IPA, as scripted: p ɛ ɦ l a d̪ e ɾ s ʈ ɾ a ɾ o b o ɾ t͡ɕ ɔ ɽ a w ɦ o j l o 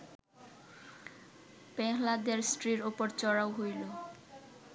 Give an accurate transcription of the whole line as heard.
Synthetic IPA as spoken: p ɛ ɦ l a d̪ e ɾ s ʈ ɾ i ɾ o p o ɾ t͡ɕ ɔ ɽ a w ɦ o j l o

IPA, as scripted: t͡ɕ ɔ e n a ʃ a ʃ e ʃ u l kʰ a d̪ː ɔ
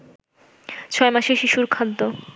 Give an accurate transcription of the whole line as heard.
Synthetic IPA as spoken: t͡ɕʰ ɔ e m a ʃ e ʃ i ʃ u ɾ kʰ a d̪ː o

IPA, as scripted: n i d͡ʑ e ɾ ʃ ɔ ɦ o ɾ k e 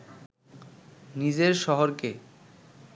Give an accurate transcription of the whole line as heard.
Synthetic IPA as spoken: n i d͡ʑ e ɾ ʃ ɔ ɦ o ɾ k e

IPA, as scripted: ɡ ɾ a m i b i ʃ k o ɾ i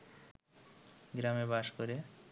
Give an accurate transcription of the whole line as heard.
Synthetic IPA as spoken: ɡ ɾ a m e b a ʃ k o ɾ e

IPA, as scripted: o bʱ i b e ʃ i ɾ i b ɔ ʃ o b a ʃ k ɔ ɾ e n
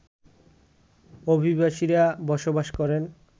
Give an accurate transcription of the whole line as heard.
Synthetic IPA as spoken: o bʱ i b a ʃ i ɾ a b ɔ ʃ o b a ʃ k ɔ ɾ e n

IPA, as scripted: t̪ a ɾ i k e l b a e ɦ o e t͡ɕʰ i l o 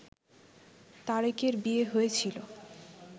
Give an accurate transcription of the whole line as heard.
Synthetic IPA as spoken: t̪ a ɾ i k e ɾ b i e ɦ o e t͡ɕʰ i l o

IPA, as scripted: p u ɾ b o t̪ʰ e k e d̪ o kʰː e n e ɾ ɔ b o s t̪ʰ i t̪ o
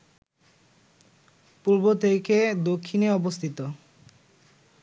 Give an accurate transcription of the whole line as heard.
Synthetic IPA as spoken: p u ɾ b o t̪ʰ e k e d̪ o kʰː i n e ɔ b o s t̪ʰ i t̪ o

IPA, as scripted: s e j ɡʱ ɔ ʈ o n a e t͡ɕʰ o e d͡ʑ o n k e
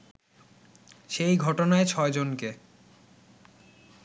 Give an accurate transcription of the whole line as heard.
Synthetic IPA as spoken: ʃ e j ɡʱ ɔ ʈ o n a e t͡ɕʰ ɔ e d͡ʑ o n k e

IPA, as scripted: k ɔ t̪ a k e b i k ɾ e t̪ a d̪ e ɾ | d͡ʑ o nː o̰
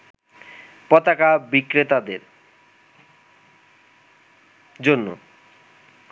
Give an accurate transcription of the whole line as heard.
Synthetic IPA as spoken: p ɔ t̪ a k a b i k ɾ e t̪ a d̪ e ɾ | d͡ʑ o nː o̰

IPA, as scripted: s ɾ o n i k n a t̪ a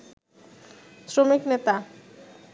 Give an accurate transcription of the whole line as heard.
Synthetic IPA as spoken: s ɾ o m i k n e t̪ a

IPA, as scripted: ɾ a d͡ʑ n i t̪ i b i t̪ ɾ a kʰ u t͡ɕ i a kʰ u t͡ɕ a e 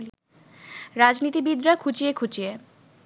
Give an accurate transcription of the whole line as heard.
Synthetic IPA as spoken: ɾ a d͡ʑ n i t̪ i b i d̪ ɾ a kʰ u t͡ɕ i e kʰ u t͡ɕ i e

